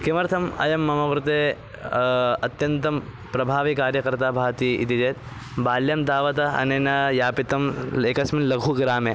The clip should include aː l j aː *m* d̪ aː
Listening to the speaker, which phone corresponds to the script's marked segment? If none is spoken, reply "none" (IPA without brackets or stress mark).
m